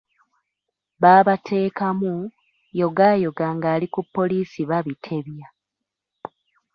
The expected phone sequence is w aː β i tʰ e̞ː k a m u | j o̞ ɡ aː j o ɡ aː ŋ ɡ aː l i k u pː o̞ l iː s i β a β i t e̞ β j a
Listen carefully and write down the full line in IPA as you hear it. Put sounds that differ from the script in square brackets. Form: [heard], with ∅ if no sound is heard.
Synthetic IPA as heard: [β] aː β [a] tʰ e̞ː k a m u | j o̞ ɡ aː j o ɡ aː ŋ ɡ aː l i k u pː o̞ l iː s i β a β i [tʰ] e̞ β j a